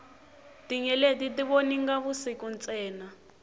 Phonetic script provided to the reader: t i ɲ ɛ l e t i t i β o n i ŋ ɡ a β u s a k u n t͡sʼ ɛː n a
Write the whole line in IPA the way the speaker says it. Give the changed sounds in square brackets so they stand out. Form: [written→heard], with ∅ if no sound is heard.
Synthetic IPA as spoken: t i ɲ ɛ l e t i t i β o n i ŋ ɡ a β u s [a→i] k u n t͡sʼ ɛː n a